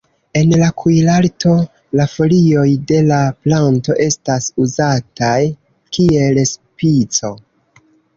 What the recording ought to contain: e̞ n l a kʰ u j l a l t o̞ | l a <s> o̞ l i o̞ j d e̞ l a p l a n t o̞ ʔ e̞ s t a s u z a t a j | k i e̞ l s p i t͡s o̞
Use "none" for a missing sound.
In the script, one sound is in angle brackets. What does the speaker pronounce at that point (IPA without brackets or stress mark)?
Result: f